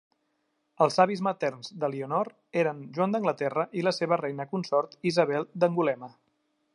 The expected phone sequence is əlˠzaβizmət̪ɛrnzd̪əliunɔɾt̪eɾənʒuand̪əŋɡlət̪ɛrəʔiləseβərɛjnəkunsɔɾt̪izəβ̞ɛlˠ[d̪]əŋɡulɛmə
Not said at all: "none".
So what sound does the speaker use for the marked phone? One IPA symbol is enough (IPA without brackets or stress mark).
d̪